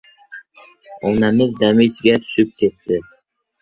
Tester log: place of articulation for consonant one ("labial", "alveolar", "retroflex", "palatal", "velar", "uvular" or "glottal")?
alveolar